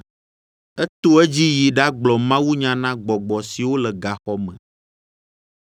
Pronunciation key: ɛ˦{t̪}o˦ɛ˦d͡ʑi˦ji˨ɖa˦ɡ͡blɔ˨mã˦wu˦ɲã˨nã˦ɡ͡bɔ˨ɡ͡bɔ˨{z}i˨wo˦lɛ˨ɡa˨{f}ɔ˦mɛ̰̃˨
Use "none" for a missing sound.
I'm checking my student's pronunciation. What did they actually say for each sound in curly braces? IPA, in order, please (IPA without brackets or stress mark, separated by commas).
t̪, s, x